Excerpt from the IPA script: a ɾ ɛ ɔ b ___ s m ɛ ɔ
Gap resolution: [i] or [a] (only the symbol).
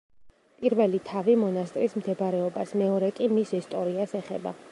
a